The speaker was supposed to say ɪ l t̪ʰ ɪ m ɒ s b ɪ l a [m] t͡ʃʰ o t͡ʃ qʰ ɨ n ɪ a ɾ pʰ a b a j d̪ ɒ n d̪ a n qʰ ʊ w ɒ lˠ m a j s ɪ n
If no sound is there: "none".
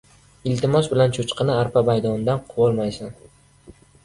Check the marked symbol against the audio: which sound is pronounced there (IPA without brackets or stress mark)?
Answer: n